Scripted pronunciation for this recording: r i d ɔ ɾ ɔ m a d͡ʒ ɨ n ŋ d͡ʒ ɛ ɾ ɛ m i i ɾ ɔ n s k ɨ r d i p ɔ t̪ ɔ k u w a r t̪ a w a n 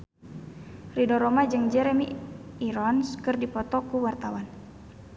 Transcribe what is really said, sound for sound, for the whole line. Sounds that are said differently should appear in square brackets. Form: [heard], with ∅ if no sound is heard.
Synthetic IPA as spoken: r i d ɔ ɾ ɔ m a d͡ʒ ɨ [∅] ŋ d͡ʒ ɛ ɾ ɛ m i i ɾ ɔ n s k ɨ r d i p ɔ t̪ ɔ k u w a r t̪ a w a n